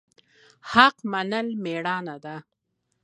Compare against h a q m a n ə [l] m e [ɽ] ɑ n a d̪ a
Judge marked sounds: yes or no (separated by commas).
yes, yes